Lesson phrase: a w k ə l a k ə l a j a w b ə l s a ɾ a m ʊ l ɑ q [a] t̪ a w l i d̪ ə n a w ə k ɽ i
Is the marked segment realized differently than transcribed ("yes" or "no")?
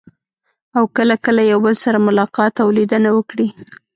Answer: yes